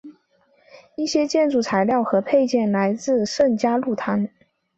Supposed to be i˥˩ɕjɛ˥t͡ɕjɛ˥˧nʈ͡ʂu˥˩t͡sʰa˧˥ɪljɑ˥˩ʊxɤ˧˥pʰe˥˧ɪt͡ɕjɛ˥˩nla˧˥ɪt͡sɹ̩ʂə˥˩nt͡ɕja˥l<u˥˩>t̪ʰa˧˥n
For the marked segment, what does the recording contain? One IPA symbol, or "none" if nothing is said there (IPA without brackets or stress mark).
u˥˩